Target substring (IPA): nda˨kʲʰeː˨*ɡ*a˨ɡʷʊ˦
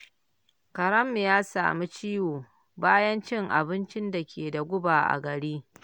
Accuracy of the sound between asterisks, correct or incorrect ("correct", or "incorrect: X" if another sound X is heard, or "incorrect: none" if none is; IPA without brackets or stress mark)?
incorrect: d